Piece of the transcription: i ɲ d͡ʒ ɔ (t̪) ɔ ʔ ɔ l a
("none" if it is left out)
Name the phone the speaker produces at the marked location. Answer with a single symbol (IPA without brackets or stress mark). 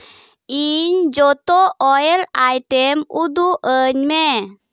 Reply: t̪